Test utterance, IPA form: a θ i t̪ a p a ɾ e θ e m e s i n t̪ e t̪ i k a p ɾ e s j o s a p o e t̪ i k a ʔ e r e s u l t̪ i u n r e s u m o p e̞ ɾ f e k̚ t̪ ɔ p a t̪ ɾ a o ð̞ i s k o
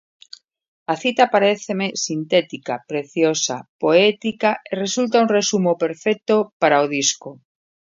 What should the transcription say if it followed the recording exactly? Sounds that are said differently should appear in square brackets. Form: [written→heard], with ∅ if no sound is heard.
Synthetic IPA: a θ i t̪ a p a ɾ e θ e m e s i n t̪ e t̪ i k a p ɾ e [s→θ] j o s a p o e t̪ i k a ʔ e r e s u l t̪ [i→a] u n r e s u m o p e̞ ɾ f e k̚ t̪ [ɔ→o] p a [t̪→∅] ɾ a o ð̞ i s k o